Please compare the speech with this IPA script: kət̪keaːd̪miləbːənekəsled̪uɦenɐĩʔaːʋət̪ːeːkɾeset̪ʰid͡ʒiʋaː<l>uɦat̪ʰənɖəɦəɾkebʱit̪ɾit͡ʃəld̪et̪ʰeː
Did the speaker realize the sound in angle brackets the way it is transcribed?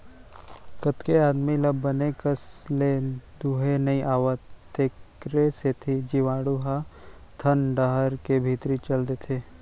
no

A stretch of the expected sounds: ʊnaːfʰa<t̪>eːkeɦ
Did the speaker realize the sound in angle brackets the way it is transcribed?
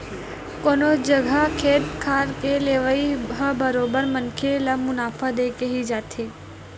no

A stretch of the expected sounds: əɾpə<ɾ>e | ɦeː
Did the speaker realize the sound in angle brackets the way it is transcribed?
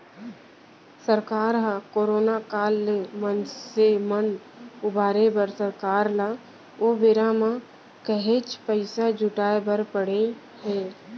no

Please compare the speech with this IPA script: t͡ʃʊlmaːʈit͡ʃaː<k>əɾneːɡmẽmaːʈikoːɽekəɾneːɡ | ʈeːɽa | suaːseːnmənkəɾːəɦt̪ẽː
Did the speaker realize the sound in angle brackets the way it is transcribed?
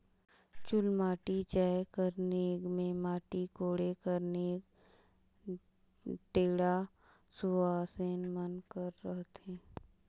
yes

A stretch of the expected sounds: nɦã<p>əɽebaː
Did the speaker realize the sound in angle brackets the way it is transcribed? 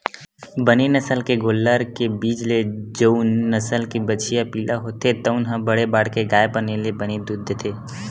no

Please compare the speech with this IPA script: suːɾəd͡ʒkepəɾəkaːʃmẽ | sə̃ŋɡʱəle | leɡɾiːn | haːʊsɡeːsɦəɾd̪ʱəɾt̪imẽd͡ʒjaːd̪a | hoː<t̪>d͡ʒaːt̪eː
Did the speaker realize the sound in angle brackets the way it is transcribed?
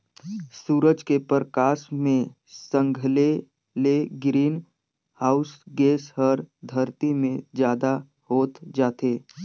yes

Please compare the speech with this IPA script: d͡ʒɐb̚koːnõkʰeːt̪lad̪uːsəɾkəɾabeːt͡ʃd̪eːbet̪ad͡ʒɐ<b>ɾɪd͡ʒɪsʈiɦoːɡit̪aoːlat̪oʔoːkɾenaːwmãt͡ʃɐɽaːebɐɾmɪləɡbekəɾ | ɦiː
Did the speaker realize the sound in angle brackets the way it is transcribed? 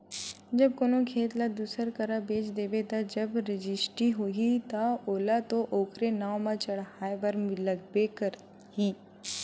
yes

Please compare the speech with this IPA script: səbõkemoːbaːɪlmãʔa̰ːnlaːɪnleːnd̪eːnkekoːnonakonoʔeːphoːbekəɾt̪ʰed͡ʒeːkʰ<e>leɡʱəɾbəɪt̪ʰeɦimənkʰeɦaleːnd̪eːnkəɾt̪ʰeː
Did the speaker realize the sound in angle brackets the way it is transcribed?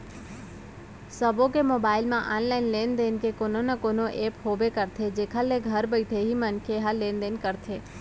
no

